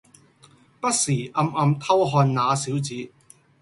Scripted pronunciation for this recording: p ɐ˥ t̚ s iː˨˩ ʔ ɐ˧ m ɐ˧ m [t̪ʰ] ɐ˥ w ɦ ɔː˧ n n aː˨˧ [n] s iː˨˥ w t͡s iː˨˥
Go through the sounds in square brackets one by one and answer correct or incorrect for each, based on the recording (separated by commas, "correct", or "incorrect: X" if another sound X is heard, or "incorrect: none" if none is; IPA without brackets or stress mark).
correct, incorrect: none